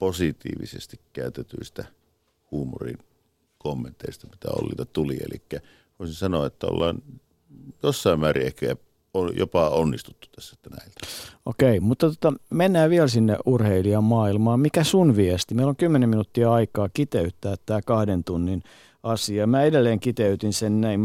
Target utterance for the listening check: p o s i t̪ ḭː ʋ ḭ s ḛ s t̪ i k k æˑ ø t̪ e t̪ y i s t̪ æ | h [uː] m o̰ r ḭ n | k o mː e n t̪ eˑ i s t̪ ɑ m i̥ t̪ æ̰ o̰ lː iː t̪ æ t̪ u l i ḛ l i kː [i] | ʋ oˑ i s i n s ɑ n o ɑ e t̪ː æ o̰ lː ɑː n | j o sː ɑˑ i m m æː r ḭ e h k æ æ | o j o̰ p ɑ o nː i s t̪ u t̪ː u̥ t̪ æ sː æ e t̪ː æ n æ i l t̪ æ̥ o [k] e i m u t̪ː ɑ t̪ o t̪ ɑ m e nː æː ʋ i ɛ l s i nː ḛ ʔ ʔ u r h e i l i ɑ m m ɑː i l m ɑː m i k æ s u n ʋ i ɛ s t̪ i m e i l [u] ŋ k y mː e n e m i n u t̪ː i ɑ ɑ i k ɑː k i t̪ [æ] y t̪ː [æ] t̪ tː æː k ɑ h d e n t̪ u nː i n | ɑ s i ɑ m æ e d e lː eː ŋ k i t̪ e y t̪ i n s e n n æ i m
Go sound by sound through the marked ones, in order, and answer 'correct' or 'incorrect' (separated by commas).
correct, incorrect, correct, incorrect, incorrect, incorrect